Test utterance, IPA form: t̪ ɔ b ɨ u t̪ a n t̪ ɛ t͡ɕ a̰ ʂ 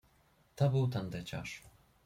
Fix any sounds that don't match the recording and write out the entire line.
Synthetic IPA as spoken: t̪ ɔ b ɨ w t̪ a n d̪ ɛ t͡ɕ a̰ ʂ